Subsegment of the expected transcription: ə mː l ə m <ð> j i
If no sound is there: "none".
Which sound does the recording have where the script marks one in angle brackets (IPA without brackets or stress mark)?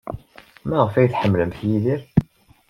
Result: θ